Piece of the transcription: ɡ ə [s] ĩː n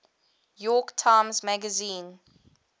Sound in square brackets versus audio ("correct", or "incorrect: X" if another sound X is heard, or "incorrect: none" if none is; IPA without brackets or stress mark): incorrect: z